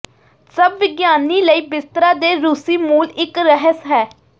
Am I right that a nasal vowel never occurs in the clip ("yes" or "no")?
yes